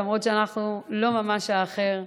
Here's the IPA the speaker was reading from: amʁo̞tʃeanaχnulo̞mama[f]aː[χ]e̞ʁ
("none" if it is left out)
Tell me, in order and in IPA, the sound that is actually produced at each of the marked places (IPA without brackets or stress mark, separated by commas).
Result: ʃ, χ